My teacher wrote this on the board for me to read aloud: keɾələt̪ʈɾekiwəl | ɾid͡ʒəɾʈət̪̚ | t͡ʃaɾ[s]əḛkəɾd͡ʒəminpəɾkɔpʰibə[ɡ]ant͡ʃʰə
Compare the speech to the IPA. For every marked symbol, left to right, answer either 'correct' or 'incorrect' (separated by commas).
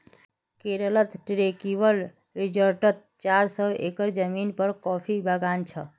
correct, correct